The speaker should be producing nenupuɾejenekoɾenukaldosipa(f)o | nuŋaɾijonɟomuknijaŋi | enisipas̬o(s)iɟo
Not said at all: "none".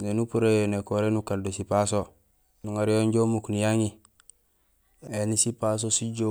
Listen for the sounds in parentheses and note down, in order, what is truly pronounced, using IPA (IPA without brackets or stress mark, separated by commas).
s, s